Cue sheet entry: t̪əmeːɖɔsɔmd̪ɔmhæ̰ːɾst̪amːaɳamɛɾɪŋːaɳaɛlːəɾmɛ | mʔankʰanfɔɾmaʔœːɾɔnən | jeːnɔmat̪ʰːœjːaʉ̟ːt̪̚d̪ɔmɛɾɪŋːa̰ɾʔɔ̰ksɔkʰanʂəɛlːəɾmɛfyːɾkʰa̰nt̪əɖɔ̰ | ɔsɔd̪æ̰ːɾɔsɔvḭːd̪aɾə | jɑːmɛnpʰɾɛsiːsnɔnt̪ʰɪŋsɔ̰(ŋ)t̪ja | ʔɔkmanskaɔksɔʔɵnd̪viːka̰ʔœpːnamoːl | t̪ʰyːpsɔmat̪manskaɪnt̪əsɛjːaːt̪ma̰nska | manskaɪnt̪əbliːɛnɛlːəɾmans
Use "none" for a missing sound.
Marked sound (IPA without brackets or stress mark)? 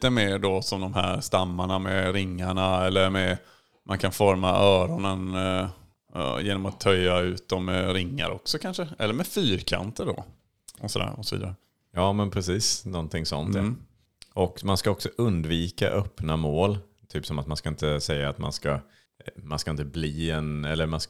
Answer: n